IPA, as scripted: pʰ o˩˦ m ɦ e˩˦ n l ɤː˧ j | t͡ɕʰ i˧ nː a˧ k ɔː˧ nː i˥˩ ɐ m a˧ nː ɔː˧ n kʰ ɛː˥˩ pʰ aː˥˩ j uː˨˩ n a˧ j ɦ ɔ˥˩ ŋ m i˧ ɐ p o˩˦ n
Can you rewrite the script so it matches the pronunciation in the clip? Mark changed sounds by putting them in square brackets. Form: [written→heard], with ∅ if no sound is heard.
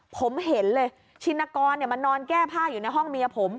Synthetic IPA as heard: pʰ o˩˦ m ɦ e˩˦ n l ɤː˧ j | t͡ɕʰ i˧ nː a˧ k ɔː˧ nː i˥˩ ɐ m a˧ nː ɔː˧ n [kʰ→k] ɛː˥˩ pʰ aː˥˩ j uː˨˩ n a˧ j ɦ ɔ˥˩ ŋ m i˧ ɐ [p→pʰ] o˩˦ [n→m]